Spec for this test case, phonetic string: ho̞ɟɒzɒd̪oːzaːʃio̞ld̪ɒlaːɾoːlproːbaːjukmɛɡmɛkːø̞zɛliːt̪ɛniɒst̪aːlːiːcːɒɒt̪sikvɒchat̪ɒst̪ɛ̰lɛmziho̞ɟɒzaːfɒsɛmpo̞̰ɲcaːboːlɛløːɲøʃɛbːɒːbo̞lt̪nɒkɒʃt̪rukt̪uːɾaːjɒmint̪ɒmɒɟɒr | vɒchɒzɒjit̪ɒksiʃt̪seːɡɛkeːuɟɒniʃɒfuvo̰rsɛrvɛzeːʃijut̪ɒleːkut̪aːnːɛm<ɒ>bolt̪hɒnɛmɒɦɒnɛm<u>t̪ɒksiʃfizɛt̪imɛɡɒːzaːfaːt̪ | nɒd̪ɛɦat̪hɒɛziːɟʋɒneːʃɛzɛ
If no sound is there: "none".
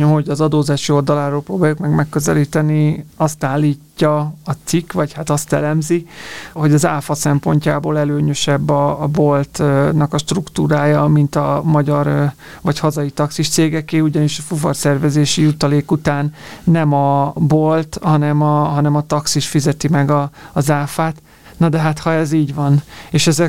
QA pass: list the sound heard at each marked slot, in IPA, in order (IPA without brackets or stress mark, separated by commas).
ɒ, ɒ